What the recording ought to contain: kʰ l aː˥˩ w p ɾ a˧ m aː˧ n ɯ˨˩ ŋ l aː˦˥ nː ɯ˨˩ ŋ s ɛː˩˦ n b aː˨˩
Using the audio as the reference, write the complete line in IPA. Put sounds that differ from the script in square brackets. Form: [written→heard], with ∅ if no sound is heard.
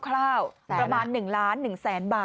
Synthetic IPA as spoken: kʰ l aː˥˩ w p ɾ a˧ m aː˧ [n→nː] ɯ˨˩ ŋ l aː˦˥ nː ɯ˨˩ ŋ s ɛː˩˦ n b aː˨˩